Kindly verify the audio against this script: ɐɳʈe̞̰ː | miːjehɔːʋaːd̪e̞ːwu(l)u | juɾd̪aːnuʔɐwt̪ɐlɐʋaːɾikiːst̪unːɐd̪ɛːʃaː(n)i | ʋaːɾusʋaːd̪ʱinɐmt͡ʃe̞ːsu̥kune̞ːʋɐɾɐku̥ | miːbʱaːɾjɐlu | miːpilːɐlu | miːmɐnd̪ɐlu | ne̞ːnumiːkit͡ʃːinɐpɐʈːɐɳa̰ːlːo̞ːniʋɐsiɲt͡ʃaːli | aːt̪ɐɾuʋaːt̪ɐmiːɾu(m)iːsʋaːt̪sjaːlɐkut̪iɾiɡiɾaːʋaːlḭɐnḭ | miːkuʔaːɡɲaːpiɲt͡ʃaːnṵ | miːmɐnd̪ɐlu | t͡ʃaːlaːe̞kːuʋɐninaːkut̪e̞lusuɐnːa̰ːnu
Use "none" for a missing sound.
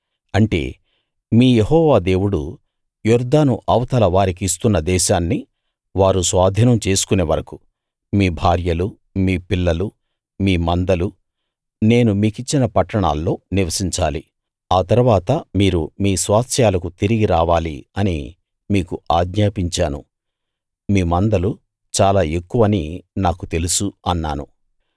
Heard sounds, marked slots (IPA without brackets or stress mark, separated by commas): ɽ, nː, m